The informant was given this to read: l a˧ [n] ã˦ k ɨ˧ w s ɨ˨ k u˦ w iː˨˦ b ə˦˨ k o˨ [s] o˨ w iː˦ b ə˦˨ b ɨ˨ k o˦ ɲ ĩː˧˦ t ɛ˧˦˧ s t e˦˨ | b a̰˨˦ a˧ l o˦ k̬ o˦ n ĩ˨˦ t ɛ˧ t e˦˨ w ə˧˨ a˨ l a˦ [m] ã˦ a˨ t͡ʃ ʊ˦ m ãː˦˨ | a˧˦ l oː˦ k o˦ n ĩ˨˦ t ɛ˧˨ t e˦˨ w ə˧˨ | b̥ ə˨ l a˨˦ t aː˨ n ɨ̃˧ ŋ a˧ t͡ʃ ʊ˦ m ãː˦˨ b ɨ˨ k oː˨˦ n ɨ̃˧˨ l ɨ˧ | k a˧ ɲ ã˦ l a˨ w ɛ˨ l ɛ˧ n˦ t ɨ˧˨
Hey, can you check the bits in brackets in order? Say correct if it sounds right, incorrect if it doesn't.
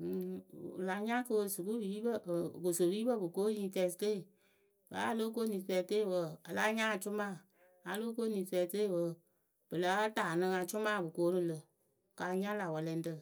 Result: incorrect: ɲ, correct, incorrect: ɲ

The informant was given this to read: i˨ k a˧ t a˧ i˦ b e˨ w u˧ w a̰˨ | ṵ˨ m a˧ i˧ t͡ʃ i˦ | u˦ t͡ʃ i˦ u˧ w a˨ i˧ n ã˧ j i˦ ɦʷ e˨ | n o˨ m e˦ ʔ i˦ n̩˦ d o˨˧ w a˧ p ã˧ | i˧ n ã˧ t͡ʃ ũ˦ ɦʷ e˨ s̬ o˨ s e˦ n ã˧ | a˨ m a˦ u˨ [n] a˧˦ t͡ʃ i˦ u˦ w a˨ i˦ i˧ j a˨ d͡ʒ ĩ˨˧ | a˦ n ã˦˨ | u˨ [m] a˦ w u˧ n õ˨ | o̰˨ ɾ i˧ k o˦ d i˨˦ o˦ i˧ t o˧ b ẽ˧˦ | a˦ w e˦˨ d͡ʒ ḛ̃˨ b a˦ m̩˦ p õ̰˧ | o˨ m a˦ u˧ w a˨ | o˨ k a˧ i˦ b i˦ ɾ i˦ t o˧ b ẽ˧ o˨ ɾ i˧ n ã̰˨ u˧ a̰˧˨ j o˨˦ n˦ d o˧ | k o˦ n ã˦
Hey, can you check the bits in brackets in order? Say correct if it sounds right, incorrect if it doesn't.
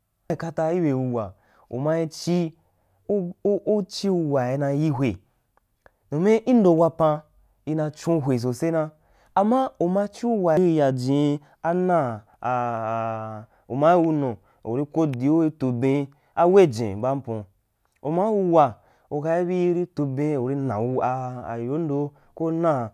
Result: incorrect: m, correct

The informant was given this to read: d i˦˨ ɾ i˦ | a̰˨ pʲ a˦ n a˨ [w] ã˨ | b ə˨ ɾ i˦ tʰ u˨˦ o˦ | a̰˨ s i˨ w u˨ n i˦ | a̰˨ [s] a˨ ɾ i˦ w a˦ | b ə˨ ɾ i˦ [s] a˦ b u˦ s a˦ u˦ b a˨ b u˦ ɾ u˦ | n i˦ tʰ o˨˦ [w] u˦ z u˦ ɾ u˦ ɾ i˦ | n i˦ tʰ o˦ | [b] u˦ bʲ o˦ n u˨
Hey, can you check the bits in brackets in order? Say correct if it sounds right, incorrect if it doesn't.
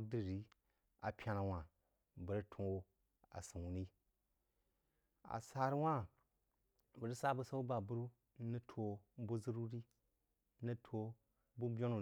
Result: correct, correct, correct, incorrect: b, correct

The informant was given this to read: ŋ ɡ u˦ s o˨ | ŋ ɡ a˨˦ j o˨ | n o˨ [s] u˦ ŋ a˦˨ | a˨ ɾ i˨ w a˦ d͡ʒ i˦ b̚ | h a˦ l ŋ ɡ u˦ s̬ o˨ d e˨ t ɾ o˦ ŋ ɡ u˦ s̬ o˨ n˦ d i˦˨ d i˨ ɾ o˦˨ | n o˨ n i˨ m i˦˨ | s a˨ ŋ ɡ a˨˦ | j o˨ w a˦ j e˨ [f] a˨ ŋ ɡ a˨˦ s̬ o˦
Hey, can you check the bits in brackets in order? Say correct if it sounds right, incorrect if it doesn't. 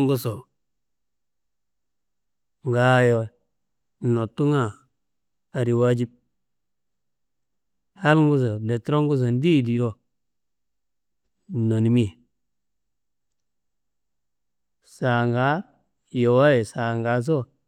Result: incorrect: t, incorrect: s

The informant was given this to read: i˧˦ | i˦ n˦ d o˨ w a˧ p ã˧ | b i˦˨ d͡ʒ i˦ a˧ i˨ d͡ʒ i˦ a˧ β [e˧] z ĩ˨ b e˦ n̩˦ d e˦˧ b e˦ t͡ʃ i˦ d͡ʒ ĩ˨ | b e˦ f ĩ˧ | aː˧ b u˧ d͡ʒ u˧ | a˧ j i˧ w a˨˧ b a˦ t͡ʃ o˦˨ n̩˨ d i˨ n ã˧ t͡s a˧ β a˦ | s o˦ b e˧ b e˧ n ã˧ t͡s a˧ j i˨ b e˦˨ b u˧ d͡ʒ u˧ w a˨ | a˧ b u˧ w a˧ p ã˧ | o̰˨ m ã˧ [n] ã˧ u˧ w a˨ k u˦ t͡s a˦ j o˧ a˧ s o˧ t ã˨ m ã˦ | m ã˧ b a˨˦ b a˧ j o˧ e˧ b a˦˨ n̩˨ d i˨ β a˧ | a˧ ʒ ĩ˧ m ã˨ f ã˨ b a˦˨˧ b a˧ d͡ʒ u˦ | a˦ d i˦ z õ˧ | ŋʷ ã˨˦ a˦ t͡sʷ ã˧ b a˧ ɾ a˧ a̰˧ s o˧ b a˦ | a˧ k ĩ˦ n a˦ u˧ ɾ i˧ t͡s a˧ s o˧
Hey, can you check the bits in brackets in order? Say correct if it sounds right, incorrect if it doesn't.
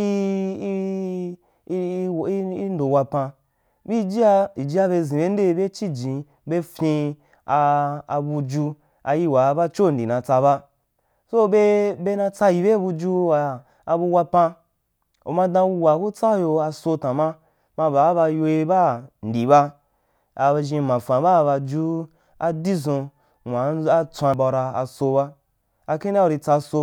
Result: correct, incorrect: d

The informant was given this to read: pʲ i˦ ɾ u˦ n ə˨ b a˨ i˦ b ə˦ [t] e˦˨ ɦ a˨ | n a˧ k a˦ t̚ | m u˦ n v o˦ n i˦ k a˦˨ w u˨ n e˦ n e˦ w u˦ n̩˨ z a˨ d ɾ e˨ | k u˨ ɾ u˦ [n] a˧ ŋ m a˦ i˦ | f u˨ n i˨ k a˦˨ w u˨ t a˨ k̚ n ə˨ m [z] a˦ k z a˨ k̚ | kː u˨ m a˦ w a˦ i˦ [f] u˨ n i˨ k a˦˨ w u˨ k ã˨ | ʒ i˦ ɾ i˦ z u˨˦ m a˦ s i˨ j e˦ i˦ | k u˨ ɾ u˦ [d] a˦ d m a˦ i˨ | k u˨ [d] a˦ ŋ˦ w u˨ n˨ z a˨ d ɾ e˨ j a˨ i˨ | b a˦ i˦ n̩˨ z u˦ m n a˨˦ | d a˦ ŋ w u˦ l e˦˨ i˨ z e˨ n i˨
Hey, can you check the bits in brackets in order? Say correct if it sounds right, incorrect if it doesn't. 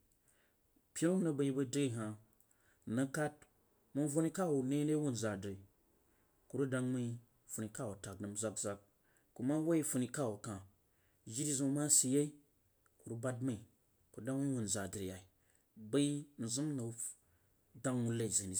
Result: incorrect: d, incorrect: d, correct, correct, incorrect: b, correct

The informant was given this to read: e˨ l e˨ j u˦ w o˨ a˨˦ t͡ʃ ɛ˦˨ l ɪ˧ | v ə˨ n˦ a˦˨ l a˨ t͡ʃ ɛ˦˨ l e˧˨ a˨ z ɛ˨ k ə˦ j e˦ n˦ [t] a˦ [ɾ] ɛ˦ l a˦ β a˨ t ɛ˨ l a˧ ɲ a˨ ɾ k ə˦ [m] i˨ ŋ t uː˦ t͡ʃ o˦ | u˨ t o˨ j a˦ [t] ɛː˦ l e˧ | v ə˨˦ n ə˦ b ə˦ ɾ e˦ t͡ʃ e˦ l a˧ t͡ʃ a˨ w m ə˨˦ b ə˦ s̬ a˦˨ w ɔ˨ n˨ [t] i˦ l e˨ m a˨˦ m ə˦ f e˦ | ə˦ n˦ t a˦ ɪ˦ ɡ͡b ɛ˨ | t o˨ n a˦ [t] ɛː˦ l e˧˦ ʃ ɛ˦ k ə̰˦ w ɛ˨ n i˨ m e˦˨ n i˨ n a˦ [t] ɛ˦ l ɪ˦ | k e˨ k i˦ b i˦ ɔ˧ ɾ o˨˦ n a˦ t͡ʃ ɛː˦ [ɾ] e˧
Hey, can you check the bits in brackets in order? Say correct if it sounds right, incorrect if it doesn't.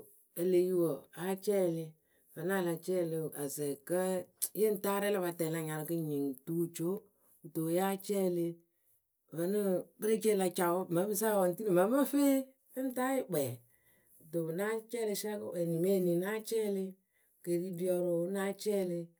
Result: correct, correct, incorrect: ɲ, incorrect: t͡ʃ, correct, incorrect: t͡ʃ, incorrect: t͡ʃ, incorrect: l

